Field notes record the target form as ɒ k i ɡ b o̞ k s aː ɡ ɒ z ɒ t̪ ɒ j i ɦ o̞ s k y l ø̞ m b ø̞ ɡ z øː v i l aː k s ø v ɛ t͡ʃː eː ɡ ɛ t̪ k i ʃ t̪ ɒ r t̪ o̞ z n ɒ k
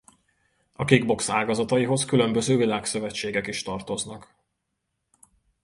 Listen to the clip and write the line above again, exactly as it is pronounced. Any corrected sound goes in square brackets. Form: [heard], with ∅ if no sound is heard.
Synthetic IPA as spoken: ɒ k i ɡ b o̞ k s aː ɡ ɒ z ɒ t̪ ɒ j i ɦ o̞ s k y l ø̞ m b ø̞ [∅] z øː v i l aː k s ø v ɛ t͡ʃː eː ɡ ɛ [∅] k i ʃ t̪ ɒ r t̪ o̞ z n ɒ k

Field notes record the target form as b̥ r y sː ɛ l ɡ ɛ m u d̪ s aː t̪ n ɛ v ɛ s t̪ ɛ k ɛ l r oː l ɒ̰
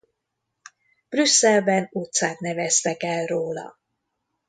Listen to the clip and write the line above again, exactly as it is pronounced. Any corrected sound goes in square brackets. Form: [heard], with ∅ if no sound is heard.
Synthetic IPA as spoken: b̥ r y sː ɛ l [b] ɛ [n] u [t̪] s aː t̪ n ɛ v ɛ s t̪ ɛ k ɛ l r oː l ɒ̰

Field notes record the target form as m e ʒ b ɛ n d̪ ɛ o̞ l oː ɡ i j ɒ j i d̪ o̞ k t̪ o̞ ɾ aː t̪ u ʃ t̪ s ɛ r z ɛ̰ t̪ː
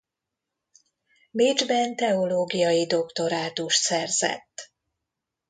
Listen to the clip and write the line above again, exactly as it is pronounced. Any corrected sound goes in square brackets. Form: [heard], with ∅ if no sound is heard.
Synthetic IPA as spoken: m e [d͡ʒ] b ɛ n [t̪] ɛ o̞ l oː ɡ i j ɒ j i d̪ o̞ k t̪ o̞ ɾ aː t̪ u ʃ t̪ s ɛ r z ɛ̰ t̪ː

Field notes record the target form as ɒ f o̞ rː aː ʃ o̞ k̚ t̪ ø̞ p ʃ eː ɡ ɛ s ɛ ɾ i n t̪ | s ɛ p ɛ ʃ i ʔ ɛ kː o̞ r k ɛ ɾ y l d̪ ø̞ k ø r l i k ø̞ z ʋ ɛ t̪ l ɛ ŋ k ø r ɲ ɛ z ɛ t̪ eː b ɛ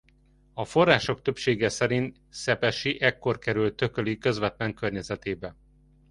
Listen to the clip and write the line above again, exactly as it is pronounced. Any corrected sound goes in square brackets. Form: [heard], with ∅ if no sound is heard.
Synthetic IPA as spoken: ɒ f o̞ rː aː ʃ o̞ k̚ t̪ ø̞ p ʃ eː ɡ ɛ s ɛ ɾ i n t̪ | s ɛ p ɛ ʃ i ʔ ɛ kː o̞ r k ɛ ɾ y l [t̪] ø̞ k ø [∅] l i k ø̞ z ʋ ɛ t̪ l ɛ ŋ k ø r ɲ ɛ z ɛ t̪ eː b ɛ

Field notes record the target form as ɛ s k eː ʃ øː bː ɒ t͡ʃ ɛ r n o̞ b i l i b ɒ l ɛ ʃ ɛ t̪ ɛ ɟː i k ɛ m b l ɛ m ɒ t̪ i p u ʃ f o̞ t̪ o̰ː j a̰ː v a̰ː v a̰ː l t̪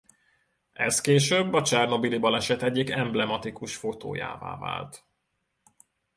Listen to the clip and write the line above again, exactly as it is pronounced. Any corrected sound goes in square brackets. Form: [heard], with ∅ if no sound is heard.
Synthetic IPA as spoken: ɛ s k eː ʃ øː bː ɒ t͡ʃ ɛ r n o̞ b i l i b ɒ l ɛ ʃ ɛ t̪ ɛ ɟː i k ɛ m b l ɛ m ɒ t̪ i [k] u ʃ f o̞ t̪ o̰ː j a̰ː v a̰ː v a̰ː l t̪

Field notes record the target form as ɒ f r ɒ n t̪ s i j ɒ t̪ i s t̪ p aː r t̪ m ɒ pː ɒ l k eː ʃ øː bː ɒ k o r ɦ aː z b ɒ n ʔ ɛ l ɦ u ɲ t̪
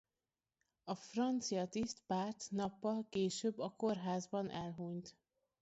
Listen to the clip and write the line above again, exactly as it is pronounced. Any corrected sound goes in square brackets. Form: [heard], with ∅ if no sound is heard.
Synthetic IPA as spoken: ɒ f r ɒ n t̪ s i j ɒ t̪ i s t̪ p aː r t̪ [n] ɒ pː ɒ l k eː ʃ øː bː ɒ k o r ɦ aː z b ɒ n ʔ ɛ l ɦ u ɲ t̪

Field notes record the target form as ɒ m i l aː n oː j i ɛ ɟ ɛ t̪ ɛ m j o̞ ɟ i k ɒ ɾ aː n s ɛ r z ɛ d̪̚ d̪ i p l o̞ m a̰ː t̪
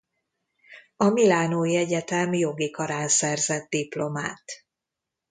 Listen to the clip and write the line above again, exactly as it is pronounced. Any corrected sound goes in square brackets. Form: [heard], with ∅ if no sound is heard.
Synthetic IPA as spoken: ɒ m i l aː n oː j i ɛ ɟ ɛ t̪ ɛ m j o̞ [ɡ] i k ɒ ɾ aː n s ɛ r z ɛ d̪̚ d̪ i p l o̞ m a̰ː t̪

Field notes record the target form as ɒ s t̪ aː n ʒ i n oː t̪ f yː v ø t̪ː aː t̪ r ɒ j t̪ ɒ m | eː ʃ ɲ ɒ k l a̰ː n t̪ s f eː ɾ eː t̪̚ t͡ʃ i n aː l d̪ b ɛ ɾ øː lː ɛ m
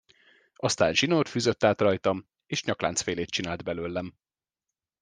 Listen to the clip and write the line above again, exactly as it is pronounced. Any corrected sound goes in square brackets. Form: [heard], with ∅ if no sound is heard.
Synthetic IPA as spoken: ɒ s t̪ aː n ʒ i n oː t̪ f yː [z] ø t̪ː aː t̪ r ɒ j t̪ ɒ m | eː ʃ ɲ ɒ k l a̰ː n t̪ s f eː [l] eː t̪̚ t͡ʃ i n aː l d̪ b ɛ [l] øː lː ɛ m

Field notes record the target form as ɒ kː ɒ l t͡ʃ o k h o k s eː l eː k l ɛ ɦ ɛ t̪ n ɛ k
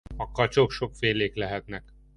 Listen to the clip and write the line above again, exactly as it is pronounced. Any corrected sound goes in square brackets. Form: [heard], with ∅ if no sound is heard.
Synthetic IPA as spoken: ɒ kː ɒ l t͡ʃ o k [ʃ] o k [f] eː l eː k l ɛ ɦ ɛ t̪ n ɛ k

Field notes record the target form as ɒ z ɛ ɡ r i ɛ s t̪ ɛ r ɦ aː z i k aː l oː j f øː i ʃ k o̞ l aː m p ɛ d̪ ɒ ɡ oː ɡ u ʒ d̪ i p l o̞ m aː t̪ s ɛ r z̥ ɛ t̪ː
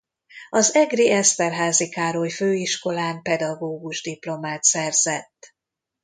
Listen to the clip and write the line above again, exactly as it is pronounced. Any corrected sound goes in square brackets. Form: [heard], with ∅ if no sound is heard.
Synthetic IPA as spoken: ɒ z ɛ ɡ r i ɛ s t̪ ɛ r ɦ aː z i k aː [ɾ] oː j f øː i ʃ k o̞ l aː m p ɛ d̪ ɒ ɡ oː ɡ u ʒ d̪ i p l o̞ m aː t̪ s ɛ r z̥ ɛ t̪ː

